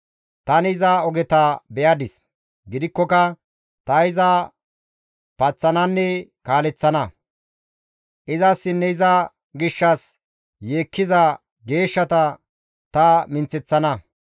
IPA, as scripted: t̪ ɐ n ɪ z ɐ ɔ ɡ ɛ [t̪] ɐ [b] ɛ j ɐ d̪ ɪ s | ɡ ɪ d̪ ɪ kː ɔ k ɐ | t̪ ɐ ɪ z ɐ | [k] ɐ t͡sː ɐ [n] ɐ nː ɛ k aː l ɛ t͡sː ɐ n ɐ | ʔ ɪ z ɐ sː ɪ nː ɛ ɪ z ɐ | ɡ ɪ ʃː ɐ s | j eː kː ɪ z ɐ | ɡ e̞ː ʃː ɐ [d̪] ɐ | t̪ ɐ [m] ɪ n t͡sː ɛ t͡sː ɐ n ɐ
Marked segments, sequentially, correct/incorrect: correct, correct, incorrect: p, correct, incorrect: t̪, correct

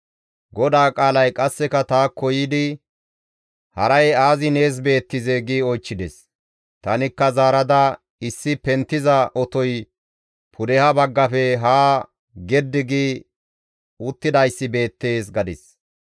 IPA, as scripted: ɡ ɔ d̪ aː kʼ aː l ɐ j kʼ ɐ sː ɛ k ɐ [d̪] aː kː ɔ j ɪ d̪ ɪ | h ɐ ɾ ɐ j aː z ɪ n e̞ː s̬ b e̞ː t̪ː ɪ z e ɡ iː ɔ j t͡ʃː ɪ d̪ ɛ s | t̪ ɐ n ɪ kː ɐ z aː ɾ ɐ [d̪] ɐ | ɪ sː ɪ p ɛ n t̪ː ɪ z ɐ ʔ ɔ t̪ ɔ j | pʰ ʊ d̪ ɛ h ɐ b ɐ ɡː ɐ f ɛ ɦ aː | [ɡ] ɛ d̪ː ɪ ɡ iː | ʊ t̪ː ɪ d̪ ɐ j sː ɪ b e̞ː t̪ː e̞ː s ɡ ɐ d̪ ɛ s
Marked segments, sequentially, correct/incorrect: incorrect: t̪, correct, correct

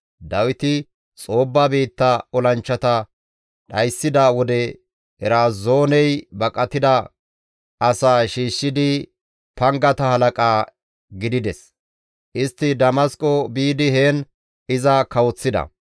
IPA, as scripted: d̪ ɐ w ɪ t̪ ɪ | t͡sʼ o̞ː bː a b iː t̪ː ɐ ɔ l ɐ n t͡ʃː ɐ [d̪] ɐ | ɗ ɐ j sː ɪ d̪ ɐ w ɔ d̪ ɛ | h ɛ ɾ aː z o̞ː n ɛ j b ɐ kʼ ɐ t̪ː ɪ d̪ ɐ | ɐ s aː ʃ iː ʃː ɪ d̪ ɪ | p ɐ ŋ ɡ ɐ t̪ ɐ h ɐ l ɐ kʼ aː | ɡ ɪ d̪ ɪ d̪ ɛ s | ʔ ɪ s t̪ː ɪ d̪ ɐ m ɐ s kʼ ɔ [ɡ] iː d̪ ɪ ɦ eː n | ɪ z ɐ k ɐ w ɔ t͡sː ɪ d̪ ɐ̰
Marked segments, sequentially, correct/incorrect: incorrect: t̪, incorrect: b

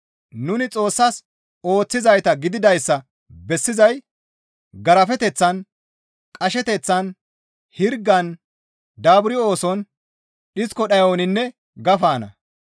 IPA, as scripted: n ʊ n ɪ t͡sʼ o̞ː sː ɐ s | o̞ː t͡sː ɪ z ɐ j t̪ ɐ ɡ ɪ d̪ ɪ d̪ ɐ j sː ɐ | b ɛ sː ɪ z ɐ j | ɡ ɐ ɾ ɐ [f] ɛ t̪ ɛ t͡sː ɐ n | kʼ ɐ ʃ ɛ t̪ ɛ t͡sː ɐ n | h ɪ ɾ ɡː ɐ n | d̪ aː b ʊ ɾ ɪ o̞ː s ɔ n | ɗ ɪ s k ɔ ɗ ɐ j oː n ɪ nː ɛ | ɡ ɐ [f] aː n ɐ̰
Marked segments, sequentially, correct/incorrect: correct, correct

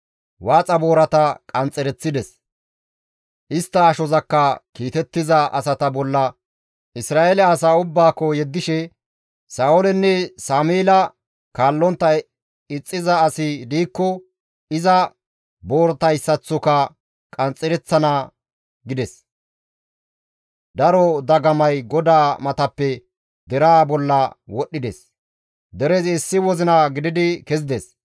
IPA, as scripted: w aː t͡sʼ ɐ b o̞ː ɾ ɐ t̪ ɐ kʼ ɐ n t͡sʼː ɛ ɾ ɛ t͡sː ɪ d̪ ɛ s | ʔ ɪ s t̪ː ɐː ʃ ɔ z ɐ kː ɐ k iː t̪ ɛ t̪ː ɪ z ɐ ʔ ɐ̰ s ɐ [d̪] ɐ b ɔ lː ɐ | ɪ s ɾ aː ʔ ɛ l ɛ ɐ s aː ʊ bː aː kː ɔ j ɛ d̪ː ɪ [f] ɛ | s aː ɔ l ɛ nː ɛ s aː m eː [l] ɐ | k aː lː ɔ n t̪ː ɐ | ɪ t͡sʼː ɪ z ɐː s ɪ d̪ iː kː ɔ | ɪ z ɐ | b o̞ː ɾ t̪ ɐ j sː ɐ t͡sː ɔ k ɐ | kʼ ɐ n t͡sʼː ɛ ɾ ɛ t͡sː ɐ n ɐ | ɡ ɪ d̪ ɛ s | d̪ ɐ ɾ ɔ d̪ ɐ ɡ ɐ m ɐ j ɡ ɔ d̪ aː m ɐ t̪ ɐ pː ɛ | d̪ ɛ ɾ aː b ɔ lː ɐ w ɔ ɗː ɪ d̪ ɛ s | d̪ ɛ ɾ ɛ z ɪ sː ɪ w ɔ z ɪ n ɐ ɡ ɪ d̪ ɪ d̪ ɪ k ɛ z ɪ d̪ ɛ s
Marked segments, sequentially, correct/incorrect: incorrect: t̪, incorrect: ʃ, correct

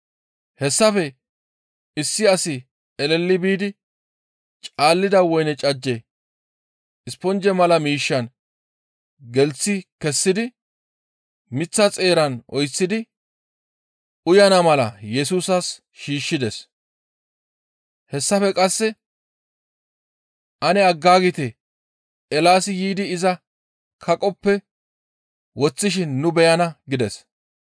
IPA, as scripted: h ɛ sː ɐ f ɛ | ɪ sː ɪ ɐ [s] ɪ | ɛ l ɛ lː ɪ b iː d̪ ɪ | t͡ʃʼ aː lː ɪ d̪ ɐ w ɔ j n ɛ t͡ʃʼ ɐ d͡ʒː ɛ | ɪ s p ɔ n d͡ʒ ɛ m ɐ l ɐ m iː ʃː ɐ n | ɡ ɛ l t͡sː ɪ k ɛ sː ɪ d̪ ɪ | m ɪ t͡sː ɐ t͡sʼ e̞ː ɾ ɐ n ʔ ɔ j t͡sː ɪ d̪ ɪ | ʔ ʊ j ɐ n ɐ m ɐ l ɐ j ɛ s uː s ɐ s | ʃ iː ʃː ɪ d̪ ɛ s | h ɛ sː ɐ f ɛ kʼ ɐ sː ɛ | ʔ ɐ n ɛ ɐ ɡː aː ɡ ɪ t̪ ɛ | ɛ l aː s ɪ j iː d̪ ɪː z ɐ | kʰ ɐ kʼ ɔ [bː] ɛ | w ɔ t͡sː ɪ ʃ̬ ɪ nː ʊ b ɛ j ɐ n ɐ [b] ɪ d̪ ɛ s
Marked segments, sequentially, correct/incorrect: correct, incorrect: pː, incorrect: ɡ

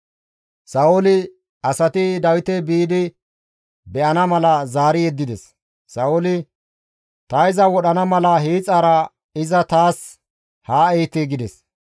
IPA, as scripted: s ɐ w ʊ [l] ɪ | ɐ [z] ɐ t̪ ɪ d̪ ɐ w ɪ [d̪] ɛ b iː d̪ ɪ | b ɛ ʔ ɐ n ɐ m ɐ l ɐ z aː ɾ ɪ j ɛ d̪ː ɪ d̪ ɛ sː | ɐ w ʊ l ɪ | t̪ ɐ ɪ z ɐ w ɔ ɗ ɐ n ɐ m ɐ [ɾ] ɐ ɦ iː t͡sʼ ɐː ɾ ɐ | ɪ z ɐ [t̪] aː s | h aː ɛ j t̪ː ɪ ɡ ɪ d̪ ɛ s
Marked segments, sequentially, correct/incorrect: correct, incorrect: s, incorrect: t̪, incorrect: l, correct

